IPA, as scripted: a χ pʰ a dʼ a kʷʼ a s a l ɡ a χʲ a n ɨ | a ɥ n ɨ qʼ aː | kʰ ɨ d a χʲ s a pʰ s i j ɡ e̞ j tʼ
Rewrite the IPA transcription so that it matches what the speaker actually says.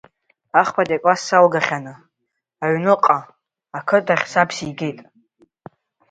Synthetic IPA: a χ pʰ a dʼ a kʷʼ a s a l ɡ a χʲ a n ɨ | a ɥ n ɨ qʼ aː | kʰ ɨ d a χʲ s a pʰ s i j ɡ e̞ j tʼ